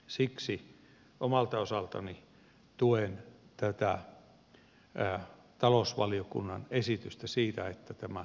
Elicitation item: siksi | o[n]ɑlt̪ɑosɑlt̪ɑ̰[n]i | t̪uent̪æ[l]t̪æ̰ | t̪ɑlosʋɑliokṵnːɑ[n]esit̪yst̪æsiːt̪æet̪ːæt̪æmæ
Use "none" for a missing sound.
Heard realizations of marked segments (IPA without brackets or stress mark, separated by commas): m, n, none, n